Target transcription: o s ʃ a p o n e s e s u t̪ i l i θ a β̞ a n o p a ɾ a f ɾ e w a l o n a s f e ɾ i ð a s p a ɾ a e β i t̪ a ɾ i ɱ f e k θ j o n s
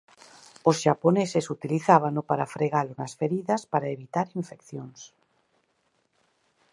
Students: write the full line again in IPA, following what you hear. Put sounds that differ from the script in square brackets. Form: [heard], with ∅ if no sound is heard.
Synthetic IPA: o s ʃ a p o n e s e s u t̪ i l i θ a β̞ a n o p a ɾ a f ɾ e [ɣ] a l o n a s f e ɾ i ð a s p a ɾ a e β i t̪ a ɾ i ɱ f e k θ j o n s